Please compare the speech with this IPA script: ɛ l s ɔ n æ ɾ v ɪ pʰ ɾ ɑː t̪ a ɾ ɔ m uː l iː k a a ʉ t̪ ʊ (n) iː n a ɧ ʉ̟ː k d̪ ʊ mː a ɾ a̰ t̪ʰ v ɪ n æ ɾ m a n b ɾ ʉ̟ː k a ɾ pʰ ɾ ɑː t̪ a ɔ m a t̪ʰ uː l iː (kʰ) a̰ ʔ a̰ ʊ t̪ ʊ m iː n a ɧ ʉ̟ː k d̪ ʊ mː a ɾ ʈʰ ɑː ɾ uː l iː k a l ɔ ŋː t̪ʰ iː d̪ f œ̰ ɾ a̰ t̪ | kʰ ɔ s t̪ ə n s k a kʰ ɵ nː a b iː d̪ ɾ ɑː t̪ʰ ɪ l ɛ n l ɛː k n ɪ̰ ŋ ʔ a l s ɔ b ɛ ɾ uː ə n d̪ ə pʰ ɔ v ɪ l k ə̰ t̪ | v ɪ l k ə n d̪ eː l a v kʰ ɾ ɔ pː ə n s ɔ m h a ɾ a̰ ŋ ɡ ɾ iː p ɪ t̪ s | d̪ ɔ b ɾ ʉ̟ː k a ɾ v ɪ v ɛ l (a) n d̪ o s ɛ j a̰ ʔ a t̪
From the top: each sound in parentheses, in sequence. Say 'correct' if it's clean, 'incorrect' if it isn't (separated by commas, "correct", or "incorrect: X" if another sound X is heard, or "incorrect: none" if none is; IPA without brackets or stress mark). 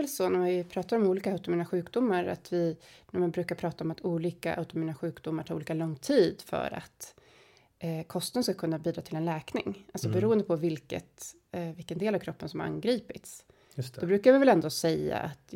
incorrect: m, incorrect: k, incorrect: ɛ